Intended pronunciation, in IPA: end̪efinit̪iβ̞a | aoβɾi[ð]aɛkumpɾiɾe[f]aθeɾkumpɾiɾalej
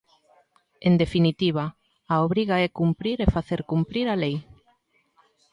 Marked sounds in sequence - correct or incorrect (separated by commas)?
incorrect, correct